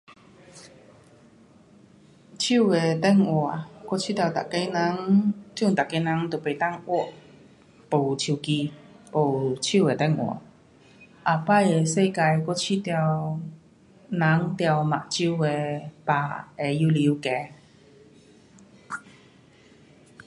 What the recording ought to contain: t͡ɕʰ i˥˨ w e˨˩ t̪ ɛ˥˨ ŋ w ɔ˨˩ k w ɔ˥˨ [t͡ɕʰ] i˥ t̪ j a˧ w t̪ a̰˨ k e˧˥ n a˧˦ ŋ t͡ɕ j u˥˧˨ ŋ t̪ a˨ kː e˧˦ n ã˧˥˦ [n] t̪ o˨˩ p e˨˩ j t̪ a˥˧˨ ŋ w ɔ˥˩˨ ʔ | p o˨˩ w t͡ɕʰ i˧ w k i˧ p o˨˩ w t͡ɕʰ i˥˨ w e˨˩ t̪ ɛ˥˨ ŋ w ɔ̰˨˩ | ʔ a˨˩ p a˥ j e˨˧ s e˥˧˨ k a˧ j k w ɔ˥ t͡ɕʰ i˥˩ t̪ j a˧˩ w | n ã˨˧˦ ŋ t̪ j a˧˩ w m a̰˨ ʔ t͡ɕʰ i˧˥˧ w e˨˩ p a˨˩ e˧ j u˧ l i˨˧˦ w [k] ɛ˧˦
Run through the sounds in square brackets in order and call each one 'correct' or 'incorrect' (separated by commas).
correct, incorrect, correct